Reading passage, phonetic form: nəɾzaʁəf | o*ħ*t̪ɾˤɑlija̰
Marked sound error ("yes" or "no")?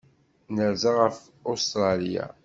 yes